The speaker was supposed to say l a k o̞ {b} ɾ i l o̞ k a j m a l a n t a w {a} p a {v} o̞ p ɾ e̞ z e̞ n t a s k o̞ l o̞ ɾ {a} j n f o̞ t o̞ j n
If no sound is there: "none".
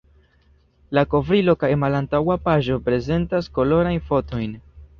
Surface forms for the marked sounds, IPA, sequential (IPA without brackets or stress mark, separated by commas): v, a, ʒ, a